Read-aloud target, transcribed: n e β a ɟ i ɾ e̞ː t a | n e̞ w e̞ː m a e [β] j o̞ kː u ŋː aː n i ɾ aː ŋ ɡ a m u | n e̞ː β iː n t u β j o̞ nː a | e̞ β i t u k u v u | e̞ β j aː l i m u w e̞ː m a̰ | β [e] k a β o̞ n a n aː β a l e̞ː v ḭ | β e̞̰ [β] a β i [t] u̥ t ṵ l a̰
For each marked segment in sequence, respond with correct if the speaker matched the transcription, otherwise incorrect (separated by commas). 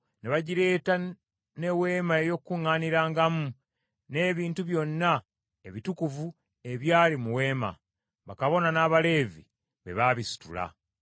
incorrect, incorrect, correct, incorrect